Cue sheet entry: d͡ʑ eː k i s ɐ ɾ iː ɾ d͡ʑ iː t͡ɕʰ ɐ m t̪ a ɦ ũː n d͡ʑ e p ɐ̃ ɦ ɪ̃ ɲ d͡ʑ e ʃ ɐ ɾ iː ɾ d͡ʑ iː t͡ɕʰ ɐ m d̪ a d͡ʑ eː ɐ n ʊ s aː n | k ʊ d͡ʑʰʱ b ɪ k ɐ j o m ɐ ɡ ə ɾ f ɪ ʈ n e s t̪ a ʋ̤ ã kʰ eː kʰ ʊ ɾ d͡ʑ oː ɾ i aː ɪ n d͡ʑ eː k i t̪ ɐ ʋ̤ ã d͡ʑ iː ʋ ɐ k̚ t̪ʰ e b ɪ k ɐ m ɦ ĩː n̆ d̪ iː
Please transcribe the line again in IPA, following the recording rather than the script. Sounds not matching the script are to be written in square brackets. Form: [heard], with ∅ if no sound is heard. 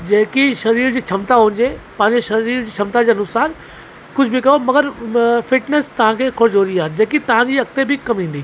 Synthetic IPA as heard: d͡ʑ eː k i [ʃ] ɐ ɾ iː ɾ d͡ʑ iː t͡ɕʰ ɐ m t̪ a ɦ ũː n d͡ʑ e p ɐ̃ ɦ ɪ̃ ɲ d͡ʑ e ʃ ɐ ɾ iː ɾ d͡ʑ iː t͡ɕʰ ɐ m [t̪] a d͡ʑ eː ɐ n ʊ s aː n | k ʊ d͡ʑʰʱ b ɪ k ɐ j o m ɐ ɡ ə ɾ f ɪ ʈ n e s t̪ [ɐ] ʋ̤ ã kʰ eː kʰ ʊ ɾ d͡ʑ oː ɾ i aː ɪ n d͡ʑ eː k i t̪ ɐ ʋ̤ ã d͡ʑ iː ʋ ɐ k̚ [t̪] e b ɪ k ɐ m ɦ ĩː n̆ d̪ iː